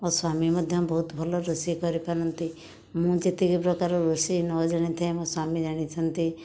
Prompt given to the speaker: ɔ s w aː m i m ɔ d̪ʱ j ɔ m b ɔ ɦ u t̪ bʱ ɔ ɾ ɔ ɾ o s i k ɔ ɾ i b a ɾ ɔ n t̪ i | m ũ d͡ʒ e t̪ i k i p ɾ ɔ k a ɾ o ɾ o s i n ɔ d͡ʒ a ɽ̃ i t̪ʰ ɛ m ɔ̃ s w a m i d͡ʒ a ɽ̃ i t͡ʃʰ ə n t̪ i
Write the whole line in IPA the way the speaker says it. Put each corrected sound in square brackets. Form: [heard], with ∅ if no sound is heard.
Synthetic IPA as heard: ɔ s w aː m i m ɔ d̪ʱ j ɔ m b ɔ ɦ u t̪ bʱ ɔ [l] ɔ ɾ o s i k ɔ ɾ i [p] a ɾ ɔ n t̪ i | m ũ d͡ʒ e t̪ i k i p ɾ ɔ k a ɾ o ɾ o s i n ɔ d͡ʒ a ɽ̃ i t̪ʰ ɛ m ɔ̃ s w a m i d͡ʒ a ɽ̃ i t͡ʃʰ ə n t̪ i

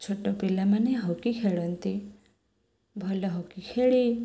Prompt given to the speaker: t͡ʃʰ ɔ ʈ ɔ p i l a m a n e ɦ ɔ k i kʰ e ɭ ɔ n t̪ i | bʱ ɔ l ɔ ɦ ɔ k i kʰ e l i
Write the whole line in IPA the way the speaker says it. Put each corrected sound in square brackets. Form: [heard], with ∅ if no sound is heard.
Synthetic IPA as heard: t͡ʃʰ [o] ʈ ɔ p i l a m a n e ɦ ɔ k i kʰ e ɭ ɔ n t̪ i | bʱ ɔ l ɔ ɦ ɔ k i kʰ e [ɭ] i

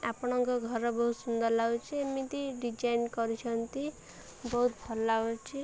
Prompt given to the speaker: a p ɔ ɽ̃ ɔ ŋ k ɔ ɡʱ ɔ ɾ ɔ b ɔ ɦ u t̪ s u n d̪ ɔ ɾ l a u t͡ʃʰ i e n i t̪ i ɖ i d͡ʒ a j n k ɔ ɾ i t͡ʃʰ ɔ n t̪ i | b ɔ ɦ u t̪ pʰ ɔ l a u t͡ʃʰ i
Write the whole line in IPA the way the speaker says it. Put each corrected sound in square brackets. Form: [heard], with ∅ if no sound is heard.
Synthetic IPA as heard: a p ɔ ɽ̃ ɔ ŋ k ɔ ɡʱ ɔ ɾ ɔ b ɔ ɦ u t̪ s u n d̪ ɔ ɾ l a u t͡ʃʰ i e [m] i t̪ i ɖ i d͡ʒ a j n k ɔ ɾ i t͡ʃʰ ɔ n t̪ i | b ɔ ɦ u t̪ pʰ ɔ l a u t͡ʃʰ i

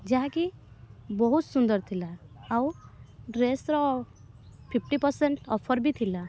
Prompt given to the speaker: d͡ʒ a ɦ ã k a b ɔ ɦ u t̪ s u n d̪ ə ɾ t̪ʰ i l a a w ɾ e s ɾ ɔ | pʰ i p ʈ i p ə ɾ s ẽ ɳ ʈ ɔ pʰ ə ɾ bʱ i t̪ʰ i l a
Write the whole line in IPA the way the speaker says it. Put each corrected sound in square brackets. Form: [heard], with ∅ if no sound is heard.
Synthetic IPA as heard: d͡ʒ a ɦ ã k [i] b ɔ ɦ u t̪ s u n d̪ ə ɾ t̪ʰ i l a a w ɾ e s ɾ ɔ | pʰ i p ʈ i p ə ɾ s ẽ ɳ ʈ ɔ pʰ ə ɾ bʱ i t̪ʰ i l a

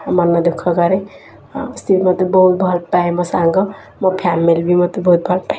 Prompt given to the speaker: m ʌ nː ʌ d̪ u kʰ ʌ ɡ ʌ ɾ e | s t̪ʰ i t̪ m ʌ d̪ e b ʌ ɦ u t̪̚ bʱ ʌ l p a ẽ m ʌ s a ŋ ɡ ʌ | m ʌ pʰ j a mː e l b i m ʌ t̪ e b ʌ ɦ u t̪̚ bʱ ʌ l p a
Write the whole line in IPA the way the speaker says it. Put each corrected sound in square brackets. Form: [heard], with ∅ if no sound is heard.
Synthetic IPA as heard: m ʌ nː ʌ d̪ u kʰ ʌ ɡ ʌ ɾ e | s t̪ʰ i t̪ m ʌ [t̪] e b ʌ ɦ u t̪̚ bʱ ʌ l p a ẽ m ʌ s a ŋ ɡ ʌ | m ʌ pʰ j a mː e l b i m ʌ t̪ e b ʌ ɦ u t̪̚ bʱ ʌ l p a

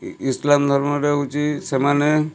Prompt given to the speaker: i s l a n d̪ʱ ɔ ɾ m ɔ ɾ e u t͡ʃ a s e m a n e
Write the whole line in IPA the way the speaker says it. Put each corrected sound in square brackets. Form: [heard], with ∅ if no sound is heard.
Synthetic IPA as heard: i s l a [m] d̪ʱ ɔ ɾ m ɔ ɾ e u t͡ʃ [i] s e m a n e

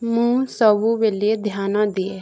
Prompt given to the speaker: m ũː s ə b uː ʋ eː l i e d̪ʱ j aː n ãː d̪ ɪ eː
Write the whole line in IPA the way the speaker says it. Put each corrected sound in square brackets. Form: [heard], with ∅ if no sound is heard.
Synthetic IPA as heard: m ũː s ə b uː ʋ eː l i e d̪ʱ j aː n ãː d̪ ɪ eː

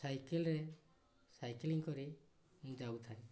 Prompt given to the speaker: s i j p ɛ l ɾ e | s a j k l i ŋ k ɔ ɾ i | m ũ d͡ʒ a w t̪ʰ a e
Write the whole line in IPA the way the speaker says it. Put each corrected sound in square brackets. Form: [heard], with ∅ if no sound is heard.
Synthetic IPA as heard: s [a] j [k] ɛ l ɾ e | s a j k l i ŋ k ɔ ɾ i | m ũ d͡ʒ a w t̪ʰ a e

